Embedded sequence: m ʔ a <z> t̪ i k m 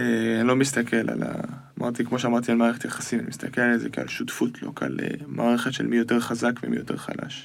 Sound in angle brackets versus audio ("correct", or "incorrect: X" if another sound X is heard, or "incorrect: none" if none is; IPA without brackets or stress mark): incorrect: ʁ